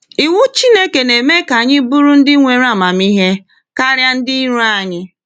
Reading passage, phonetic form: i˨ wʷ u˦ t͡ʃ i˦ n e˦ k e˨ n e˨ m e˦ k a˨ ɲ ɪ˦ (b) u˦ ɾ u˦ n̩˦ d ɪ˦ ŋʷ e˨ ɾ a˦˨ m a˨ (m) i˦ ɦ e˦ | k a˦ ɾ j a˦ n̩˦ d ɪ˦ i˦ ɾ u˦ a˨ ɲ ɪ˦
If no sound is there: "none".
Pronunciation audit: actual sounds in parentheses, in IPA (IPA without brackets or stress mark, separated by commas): b, m